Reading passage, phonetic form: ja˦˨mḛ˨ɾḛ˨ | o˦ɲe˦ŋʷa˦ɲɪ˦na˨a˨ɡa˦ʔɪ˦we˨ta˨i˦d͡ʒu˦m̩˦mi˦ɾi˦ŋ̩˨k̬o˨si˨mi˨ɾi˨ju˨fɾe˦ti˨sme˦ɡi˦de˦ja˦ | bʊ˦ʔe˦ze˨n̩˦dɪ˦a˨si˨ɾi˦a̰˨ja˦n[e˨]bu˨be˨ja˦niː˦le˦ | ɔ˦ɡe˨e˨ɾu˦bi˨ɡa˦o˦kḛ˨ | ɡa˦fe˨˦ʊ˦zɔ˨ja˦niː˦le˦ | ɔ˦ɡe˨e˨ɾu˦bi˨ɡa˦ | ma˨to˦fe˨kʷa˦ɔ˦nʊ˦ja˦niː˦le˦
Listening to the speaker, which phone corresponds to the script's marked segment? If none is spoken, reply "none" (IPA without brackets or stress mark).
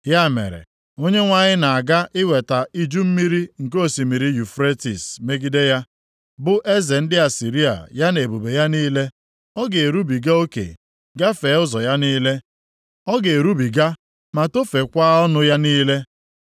e˨